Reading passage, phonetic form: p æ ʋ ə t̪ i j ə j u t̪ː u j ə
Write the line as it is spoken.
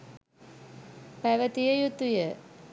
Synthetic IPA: p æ ʋ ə t̪ i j ə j u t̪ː u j ə